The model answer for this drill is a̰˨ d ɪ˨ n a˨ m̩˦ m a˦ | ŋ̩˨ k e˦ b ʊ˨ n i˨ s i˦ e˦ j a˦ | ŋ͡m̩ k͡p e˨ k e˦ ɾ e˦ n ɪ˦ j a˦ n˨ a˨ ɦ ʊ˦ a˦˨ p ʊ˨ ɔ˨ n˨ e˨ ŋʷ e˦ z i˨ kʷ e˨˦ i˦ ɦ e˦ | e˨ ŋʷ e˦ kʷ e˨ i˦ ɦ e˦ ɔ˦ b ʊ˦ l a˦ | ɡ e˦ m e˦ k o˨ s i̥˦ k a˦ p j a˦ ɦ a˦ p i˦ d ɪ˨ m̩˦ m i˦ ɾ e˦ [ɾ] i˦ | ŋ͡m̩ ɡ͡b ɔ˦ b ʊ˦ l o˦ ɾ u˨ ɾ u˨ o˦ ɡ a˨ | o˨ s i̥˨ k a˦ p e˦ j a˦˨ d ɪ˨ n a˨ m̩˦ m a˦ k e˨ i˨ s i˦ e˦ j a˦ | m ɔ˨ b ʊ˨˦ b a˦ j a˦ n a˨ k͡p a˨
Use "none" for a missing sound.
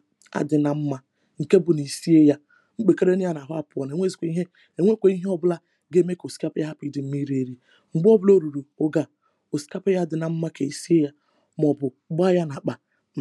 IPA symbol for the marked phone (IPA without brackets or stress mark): ɾ